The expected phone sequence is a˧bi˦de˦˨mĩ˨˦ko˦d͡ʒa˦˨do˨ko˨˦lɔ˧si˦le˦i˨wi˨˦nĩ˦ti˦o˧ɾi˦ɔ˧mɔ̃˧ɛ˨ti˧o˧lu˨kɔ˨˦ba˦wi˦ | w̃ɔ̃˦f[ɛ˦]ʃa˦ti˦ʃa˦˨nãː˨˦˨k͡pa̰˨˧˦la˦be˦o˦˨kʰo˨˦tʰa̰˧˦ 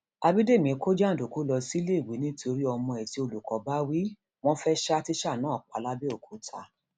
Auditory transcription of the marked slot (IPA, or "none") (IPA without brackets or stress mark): ɛ˦